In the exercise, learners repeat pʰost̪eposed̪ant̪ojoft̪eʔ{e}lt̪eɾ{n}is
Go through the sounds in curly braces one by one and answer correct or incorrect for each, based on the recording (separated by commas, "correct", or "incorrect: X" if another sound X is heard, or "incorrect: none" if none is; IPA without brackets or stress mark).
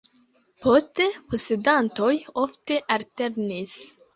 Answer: incorrect: a, correct